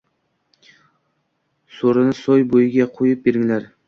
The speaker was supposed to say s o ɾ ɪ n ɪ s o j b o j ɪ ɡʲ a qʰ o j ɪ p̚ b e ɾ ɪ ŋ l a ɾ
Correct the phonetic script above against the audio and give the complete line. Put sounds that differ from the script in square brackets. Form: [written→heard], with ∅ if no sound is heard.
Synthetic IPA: s o ɾ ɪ n ɪ s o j b o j ɪ ɡʲ a qʰ o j ɪ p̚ b e ɾ ɪ ŋ l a ɾ